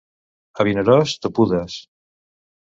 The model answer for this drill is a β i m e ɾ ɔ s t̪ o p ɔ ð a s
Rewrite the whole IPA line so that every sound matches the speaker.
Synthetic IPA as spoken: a β i n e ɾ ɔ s t̪ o p u ð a s